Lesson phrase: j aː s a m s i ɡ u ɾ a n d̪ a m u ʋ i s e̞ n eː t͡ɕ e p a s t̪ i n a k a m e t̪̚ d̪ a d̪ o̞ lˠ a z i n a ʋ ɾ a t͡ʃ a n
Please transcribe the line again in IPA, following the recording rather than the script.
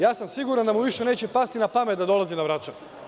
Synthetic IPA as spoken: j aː s a m s i ɡ u ɾ a n d̪ a m u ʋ i ʃ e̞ n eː t͡ɕ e p a s t̪ i n a p a m e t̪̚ d̪ a d̪ o̞ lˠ a z i n a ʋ ɾ a t͡ʃ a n